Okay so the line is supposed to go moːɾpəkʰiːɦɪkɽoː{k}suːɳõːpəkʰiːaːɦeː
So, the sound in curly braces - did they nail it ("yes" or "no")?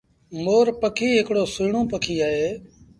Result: no